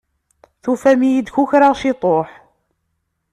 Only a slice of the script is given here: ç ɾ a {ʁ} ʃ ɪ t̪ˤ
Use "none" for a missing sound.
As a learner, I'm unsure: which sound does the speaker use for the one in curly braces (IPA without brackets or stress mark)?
ʁ